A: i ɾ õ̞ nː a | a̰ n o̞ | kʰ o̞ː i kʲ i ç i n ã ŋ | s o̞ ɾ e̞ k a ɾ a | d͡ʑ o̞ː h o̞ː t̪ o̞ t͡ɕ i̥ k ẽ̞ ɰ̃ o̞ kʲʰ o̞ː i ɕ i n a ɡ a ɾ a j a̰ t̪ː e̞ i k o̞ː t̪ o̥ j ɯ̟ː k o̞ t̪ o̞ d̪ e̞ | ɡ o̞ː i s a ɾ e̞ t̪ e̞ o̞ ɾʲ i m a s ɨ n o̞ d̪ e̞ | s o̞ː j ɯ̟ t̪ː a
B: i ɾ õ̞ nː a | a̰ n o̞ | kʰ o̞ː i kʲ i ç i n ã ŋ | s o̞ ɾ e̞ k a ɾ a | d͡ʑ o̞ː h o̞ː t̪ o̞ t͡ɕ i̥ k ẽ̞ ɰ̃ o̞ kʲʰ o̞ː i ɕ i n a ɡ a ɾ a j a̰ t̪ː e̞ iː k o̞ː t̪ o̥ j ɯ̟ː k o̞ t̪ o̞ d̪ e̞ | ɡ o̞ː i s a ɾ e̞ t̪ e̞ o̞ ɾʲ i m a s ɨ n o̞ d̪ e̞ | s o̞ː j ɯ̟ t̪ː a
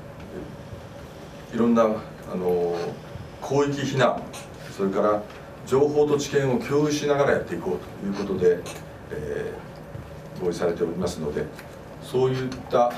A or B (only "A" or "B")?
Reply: A